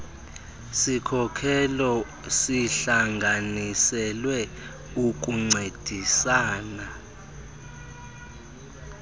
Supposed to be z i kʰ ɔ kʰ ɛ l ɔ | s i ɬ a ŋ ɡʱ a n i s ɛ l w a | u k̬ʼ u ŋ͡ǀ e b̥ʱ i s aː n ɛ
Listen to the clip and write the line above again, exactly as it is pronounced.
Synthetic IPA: s i kʰ ɔ kʰ ɛ l ɔ | s i ɬ a ŋ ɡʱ a n i s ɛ l w ɛ | u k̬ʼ u ŋ͡ǀ e d̥ʱ i s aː n a